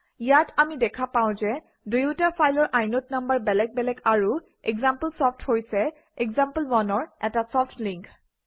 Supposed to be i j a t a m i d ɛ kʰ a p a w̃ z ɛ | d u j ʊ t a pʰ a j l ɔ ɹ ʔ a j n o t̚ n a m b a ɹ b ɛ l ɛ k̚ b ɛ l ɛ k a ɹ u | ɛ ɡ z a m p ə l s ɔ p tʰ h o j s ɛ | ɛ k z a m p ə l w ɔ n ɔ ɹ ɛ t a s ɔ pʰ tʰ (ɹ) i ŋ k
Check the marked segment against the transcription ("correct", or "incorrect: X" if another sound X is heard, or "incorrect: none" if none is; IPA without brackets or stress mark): incorrect: l